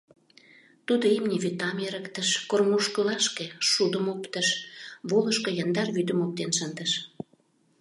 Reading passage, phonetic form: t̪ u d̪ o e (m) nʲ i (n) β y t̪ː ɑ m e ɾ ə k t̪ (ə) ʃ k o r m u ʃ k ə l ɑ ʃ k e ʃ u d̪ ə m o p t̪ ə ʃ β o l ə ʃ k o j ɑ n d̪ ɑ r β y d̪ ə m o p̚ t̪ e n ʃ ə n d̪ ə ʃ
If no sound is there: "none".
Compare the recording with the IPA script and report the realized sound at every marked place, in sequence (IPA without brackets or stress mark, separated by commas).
m, none, ə